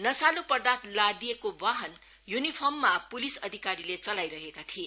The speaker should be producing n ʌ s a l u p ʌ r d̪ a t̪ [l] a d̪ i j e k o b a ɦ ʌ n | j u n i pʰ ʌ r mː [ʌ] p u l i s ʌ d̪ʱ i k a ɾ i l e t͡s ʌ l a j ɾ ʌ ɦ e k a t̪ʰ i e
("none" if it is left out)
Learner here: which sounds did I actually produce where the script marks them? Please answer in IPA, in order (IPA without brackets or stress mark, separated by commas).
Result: l, a